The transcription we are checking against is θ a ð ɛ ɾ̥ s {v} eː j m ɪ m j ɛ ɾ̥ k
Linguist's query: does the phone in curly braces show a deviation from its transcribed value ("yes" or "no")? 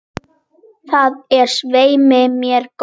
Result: no